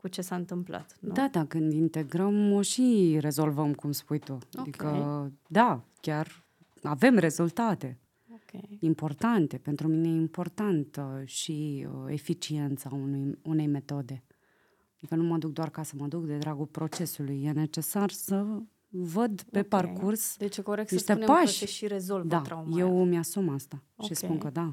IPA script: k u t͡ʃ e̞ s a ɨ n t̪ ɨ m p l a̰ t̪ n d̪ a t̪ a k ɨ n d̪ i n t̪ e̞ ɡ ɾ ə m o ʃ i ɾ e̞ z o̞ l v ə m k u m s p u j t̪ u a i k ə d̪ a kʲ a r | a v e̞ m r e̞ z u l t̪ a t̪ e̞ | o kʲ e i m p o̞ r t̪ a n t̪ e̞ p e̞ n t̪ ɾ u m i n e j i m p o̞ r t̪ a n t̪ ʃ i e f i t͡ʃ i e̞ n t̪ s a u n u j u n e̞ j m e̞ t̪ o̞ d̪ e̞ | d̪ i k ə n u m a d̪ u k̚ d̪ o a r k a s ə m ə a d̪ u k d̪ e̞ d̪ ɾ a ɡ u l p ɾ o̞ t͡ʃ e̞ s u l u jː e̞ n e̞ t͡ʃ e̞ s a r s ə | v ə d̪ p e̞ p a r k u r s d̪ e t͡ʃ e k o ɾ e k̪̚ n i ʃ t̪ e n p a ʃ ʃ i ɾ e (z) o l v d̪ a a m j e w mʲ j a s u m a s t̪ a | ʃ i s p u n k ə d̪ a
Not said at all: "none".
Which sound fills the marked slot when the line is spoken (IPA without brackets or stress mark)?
z